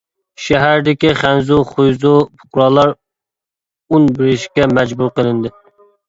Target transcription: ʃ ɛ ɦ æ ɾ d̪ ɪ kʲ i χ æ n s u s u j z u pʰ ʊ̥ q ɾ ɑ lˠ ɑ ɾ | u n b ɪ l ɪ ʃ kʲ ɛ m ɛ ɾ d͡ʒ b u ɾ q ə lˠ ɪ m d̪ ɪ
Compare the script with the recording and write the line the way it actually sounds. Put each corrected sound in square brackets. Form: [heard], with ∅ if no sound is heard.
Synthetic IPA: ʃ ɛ ɦ æ ɾ d̪ ɪ kʲ i χ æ n [z] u [χ] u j z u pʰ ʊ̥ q ɾ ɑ lˠ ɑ ɾ | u n b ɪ [ɾ] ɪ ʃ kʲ ɛ m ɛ [∅] d͡ʒ b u ɾ q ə lˠ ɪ [n] d̪ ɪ